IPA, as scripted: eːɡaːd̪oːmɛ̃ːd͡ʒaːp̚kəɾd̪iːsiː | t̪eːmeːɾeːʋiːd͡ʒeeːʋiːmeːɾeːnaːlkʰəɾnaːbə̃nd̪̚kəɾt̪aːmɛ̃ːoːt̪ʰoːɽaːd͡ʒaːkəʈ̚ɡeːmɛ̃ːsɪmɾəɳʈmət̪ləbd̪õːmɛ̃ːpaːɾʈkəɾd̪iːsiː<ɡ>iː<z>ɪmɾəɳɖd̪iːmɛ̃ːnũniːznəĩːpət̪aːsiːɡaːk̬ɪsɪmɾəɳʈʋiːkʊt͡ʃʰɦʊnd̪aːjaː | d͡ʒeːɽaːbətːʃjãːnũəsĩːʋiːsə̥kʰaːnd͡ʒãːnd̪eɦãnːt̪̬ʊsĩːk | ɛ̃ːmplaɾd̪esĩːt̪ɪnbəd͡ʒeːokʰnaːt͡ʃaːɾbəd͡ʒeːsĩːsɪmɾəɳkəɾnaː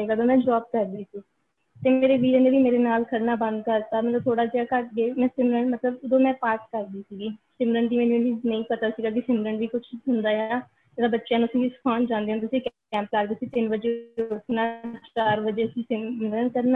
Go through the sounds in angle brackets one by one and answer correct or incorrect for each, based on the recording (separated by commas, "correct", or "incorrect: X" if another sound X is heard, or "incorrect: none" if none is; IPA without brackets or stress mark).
correct, incorrect: s